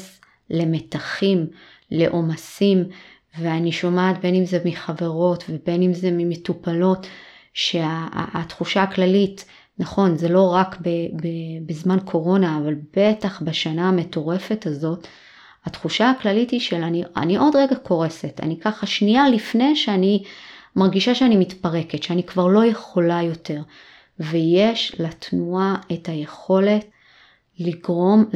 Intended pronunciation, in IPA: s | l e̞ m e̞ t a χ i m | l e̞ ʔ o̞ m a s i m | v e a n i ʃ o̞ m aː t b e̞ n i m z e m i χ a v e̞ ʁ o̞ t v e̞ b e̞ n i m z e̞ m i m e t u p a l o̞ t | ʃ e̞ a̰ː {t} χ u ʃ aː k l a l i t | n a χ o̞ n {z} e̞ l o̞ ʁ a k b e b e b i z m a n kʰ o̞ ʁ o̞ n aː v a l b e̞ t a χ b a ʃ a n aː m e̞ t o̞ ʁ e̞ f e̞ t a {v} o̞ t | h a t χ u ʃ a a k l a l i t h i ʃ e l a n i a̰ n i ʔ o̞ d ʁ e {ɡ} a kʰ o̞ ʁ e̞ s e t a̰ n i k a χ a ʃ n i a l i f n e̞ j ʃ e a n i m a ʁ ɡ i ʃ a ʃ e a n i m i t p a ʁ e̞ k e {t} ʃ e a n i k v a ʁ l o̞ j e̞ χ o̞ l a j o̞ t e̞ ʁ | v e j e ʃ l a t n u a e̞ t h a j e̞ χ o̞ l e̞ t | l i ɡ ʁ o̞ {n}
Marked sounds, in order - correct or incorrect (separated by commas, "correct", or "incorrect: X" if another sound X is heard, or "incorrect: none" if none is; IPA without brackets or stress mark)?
correct, correct, incorrect: z, correct, correct, incorrect: m